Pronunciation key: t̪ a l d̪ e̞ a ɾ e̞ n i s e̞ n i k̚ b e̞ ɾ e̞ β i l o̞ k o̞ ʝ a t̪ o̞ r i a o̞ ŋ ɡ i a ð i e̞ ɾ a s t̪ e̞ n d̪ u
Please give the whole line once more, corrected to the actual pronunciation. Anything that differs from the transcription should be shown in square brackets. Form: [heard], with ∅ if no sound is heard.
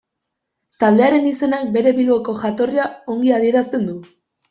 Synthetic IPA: t̪ a l d̪ e̞ a ɾ e̞ n i s e̞ n [a] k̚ b e̞ ɾ e̞ β i l o̞ k o̞ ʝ a t̪ o̞ r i a o̞ ŋ ɡ i a ð i e̞ ɾ a s t̪ e̞ n d̪ u

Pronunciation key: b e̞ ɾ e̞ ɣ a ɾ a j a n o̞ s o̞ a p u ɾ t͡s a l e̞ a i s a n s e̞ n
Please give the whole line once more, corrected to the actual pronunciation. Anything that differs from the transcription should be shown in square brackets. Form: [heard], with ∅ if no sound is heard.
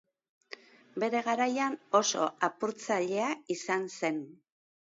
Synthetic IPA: b e̞ ɾ e̞ ɣ a ɾ a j a n o̞ s o̞ a p u ɾ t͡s a [ʎ] e̞ a i s a n s e̞ n

